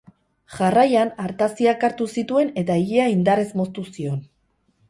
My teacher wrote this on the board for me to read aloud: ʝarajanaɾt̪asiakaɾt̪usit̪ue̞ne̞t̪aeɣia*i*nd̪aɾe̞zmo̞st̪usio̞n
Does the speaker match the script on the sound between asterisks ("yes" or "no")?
yes